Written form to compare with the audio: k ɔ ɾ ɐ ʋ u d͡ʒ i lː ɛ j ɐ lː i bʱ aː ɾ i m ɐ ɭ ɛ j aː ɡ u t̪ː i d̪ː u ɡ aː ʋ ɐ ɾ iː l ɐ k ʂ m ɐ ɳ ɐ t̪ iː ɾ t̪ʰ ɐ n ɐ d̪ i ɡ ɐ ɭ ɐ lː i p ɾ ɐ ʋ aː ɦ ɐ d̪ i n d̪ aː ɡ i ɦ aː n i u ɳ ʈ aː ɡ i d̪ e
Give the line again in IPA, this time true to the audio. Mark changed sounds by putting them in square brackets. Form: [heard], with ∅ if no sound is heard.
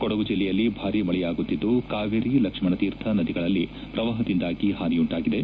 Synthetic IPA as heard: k ɔ [ɽ] ɐ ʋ u d͡ʒ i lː ɛ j ɐ lː i bʱ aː ɾ i m ɐ ɭ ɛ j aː ɡ u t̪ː i d̪ː u [k] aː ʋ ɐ ɾ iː l ɐ k ʂ m ɐ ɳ ɐ t̪ iː ɾ t̪ʰ ɐ n ɐ d̪ i ɡ ɐ ɭ ɐ lː i p ɾ ɐ ʋ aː ɦ ɐ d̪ i n d̪ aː ɡ i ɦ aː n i u ɳ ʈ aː ɡ i d̪ e